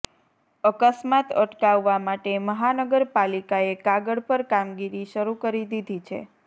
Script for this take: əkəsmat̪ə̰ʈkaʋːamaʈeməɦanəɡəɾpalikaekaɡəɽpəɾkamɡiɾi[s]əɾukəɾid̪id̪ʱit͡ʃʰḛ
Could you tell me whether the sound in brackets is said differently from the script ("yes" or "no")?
yes